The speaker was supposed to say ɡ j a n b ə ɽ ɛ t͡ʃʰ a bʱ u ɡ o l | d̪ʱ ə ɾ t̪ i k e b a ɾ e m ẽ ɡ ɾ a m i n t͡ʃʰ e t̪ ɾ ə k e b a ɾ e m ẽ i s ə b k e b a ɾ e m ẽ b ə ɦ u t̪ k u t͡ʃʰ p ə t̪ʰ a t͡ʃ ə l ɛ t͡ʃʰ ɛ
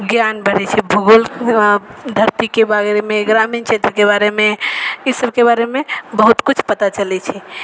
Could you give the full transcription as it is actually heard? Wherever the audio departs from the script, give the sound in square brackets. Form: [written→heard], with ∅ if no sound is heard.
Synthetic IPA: ɡ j a n b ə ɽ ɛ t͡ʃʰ [a→ɛ] bʱ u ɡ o l | d̪ʱ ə ɾ t̪ i k e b a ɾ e m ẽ ɡ ɾ a m i n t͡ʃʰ e t̪ ɾ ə k e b a ɾ e m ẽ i s ə b k e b a ɾ e m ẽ b ə ɦ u t̪ k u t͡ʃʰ p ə [t̪ʰ→t̪] a t͡ʃ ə l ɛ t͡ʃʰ ɛ